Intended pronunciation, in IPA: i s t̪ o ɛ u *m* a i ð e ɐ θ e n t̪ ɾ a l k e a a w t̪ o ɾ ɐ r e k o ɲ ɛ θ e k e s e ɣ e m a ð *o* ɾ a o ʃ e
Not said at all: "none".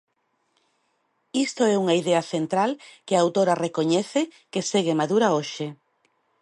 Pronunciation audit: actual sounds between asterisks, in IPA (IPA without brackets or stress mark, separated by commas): ŋ, u